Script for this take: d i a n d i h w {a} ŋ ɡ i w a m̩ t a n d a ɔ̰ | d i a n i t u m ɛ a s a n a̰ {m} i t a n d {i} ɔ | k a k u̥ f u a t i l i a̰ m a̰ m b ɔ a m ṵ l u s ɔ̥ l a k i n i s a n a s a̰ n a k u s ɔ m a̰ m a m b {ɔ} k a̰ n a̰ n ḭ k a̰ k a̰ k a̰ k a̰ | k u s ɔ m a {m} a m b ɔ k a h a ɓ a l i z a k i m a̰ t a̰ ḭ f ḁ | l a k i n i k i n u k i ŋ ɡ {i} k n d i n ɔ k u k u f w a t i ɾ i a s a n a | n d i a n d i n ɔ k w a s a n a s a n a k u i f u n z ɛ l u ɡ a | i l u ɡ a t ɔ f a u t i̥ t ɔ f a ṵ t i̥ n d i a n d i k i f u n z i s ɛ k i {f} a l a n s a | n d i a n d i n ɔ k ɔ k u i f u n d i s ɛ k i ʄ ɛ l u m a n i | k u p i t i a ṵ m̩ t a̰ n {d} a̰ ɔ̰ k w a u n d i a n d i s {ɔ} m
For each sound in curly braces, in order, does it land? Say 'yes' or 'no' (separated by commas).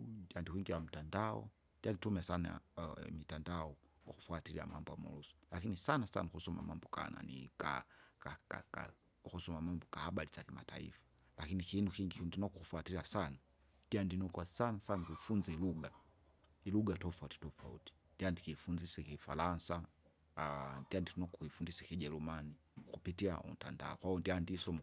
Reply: no, yes, no, yes, yes, yes, yes, yes, yes